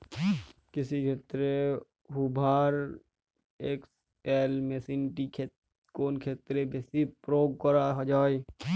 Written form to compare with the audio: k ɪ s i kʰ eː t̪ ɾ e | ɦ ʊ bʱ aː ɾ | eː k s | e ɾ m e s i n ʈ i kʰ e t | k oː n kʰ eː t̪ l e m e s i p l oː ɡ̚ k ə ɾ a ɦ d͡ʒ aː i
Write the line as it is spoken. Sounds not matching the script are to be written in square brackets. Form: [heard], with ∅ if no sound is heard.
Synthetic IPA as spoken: k ɪ s i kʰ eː t̪ ɾ e | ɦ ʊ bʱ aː ɾ | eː k s | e [l] m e s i n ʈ i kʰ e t | k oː n kʰ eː t̪ [ɾ] e [b] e s i p [ɾ] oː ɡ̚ k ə ɾ a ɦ d͡ʒ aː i